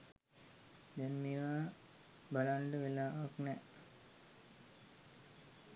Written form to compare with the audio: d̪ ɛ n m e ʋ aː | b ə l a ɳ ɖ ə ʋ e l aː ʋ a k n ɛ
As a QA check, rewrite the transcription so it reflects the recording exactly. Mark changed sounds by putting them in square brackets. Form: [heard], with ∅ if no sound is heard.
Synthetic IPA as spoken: d̪ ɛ n m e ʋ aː | b [a] l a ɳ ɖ ə ʋ e l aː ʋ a k n ɛ